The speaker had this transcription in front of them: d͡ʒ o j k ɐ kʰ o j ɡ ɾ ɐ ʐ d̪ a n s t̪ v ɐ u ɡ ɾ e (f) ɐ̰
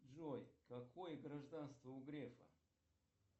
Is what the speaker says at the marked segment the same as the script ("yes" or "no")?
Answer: yes